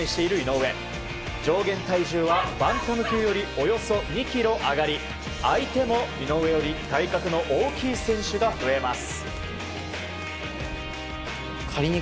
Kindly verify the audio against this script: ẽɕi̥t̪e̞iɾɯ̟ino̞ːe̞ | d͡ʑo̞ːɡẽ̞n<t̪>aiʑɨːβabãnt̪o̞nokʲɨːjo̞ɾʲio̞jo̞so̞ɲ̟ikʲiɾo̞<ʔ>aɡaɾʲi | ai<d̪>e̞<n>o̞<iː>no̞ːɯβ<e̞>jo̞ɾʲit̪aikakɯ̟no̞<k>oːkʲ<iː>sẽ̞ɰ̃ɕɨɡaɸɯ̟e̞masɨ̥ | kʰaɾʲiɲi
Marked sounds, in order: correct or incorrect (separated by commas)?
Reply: correct, correct, incorrect, incorrect, incorrect, correct, incorrect, correct